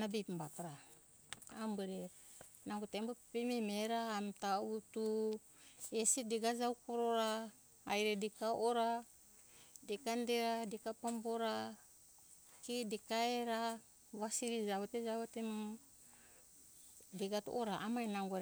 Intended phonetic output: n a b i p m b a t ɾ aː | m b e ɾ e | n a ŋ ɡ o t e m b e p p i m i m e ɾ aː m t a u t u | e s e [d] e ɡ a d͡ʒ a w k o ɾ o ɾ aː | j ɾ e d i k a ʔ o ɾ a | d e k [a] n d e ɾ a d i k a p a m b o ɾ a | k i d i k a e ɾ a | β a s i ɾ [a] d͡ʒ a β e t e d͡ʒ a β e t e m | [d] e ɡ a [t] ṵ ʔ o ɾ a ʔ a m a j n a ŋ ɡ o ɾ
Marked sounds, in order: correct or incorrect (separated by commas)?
correct, correct, incorrect, correct, correct